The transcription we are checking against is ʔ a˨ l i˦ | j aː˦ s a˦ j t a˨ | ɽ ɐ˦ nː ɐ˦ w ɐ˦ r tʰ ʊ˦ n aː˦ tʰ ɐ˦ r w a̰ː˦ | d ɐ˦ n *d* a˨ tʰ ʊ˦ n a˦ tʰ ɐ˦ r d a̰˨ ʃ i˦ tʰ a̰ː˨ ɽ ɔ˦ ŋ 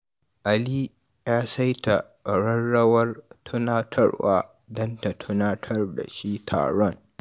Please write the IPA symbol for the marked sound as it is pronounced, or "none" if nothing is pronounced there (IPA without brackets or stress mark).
t